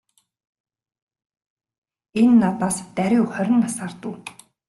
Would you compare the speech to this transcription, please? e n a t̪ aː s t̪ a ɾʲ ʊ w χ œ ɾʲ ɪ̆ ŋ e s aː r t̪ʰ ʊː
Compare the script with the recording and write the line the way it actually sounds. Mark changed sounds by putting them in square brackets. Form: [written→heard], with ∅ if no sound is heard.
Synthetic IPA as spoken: e [n→nː] a t̪ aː s t̪ [a→æ] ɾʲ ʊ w χ œ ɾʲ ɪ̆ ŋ [e→a] s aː r [t̪ʰ→t̪] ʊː

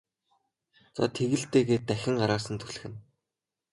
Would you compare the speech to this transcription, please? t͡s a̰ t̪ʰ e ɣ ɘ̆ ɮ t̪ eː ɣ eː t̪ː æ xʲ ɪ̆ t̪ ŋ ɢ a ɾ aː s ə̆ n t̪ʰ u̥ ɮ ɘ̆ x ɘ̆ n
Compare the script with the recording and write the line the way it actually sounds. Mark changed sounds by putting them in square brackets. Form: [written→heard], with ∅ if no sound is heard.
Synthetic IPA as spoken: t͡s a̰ t̪ʰ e ɣ ɘ̆ ɮ t̪ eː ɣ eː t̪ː æ xʲ ɪ̆ [t̪→∅] ŋ ɢ a ɾ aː s ə̆ n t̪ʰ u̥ ɮ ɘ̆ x ɘ̆ n

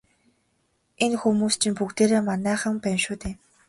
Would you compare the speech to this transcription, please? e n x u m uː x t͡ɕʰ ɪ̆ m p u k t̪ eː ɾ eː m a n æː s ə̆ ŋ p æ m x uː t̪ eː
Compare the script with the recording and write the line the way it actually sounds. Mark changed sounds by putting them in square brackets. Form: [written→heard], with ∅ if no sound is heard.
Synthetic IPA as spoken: e n x u m uː [x→s] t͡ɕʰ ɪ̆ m p u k t̪ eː ɾ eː m a n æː [s→χ] ə̆ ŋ p æ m [x→ʃ] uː t̪ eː

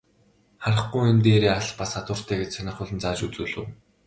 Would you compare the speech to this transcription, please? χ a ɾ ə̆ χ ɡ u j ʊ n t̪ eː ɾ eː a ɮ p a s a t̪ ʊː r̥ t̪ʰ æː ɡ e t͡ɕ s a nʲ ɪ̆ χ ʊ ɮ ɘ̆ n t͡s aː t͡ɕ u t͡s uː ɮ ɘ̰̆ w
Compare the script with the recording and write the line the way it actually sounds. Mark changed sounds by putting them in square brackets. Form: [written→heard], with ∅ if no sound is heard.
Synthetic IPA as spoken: χ a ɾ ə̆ χ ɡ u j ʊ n t̪ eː ɾ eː a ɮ p a s a t̪ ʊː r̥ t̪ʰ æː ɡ e t͡ɕ s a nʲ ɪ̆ χ ʊ ɮ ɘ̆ n t͡s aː t͡ɕ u t͡s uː ɮ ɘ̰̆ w

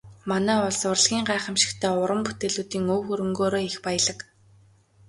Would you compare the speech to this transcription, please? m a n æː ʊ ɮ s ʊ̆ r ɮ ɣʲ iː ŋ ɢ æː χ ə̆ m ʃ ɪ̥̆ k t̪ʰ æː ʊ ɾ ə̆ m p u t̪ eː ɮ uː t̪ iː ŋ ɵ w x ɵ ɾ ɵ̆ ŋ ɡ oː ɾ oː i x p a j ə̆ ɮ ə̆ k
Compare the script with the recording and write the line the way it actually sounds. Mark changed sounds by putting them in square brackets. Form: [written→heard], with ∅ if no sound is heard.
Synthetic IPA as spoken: m a n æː ʊ ɮ s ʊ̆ r ɮ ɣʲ iː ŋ ɢ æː χ ə̆ m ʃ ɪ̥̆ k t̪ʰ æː ʊ ɾ ə̆ m p u t̪ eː ɮ uː t̪ iː ŋ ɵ w x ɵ ɾ ɵ̆ ŋ ɡ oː ɾ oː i x p a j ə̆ ɮ ə̆ k

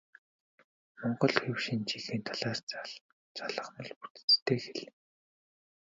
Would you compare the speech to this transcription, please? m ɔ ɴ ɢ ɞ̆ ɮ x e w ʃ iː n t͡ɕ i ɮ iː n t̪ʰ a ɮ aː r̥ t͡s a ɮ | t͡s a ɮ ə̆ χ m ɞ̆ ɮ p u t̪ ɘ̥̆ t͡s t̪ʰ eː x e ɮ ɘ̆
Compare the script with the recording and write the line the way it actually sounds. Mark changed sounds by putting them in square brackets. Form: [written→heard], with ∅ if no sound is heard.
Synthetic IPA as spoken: m ɔ ɴ ɢ ɞ̆ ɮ x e w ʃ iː n t͡ɕ i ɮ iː n t̪ʰ a ɮ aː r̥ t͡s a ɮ | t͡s a ɮ ə̆ χ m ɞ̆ ɮ p u t̪ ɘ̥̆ t͡s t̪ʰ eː x e ɮ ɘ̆

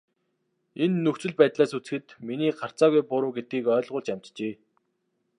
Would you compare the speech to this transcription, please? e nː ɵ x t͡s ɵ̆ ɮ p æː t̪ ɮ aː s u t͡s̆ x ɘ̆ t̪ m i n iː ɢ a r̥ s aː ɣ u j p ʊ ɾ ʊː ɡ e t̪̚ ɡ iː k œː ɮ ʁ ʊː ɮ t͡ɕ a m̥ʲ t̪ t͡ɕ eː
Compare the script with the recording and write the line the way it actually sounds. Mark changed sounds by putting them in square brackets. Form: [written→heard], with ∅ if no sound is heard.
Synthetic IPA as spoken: e nː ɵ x t͡s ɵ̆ ɮ p æː t̪ ɮ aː s u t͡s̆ x ɘ̆ t̪ m i n iː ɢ a r̥ [s→t͡s] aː ɣ u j p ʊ ɾ ʊː ɡ e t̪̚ ɡ iː k œː ɮ ʁ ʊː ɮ t͡ɕ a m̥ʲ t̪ t͡ɕ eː

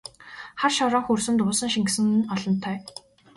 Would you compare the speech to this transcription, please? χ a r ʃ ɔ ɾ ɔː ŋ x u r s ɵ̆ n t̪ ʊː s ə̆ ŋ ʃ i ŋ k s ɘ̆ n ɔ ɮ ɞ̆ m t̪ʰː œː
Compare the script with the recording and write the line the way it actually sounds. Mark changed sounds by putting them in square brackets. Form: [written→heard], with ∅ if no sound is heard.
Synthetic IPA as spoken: χ a r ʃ ɔ ɾ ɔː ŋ x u r s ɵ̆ n t̪ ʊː s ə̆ ŋ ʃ i ŋ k s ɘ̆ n ɔ ɮ ɞ̆ [m→n] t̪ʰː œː

